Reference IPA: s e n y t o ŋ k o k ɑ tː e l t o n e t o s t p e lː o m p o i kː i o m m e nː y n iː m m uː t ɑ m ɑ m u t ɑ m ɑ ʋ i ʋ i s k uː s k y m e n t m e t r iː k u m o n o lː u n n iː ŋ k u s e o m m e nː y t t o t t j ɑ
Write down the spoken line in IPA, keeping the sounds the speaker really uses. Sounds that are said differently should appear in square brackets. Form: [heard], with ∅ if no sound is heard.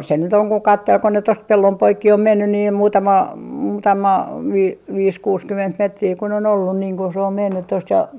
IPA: s e n y t o ŋ k o k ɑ tː e l [k] o n e t o s t p e lː o m p o i kː i o m m e nː y n iː m m uː t ɑ m ɑ m [uː] t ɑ m ɑ ʋ i ʋ [iː] s k uː s k y m e n t m e t r iː k u [n] o n o lː u n n iː ŋ k u s e o m m e nː y t t o [s] t j ɑ